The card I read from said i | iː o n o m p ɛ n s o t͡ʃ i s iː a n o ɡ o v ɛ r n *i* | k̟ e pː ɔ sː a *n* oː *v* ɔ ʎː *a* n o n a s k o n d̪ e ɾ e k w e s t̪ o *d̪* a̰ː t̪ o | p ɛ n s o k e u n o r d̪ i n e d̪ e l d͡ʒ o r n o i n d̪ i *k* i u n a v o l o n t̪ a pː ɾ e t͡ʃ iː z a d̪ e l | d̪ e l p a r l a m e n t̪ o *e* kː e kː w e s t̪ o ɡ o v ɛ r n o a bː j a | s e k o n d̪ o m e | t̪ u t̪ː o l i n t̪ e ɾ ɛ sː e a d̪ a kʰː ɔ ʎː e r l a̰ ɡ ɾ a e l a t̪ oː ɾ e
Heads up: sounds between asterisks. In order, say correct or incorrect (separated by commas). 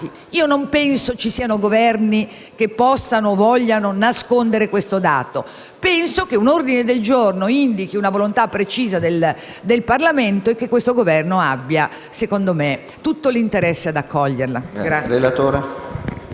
correct, correct, correct, correct, correct, correct, correct